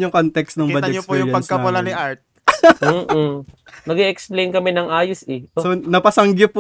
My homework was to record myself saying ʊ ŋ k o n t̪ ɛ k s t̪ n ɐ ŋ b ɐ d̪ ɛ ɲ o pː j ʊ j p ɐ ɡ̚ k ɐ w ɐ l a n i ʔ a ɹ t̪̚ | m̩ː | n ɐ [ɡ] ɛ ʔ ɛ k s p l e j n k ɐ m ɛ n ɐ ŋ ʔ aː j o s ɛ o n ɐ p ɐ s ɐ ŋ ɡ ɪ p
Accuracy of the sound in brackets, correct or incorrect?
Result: correct